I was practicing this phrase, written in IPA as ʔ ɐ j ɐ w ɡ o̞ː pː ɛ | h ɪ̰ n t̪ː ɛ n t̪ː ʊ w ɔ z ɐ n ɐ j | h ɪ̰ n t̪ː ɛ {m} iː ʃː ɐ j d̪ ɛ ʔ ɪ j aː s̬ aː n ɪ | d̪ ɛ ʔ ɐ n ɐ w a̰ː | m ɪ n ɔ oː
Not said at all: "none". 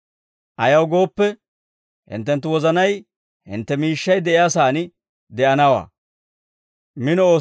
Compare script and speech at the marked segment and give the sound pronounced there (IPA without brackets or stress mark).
m